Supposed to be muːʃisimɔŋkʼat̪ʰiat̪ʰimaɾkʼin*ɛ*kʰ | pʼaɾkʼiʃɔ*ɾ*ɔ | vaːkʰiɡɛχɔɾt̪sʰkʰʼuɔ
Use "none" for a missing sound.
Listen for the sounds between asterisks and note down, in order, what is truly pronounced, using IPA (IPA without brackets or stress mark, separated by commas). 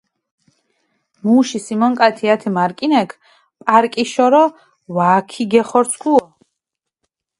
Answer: ɛ, ɾ